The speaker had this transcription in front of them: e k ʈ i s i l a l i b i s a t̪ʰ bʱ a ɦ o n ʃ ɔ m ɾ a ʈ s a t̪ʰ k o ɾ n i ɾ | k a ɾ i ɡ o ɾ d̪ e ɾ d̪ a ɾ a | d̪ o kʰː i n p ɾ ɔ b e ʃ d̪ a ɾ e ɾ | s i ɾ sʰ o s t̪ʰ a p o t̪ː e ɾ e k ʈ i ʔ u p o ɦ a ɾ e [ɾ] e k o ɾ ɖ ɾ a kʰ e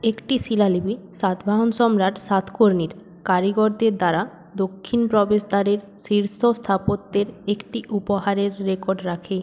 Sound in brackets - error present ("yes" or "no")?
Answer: yes